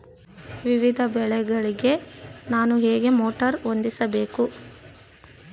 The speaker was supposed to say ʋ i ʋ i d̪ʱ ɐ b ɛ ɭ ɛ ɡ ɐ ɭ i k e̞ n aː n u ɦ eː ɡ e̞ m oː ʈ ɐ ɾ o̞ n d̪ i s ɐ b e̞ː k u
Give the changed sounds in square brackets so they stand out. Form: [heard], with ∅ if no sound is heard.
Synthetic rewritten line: ʋ i ʋ i d̪ʱ ɐ b ɛ ɭ ɛ ɡ ɐ ɭ i [ɡ] e̞ n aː n u ɦ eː ɡ e̞ m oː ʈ ɐ ɾ o̞ n d̪ i s ɐ b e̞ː k u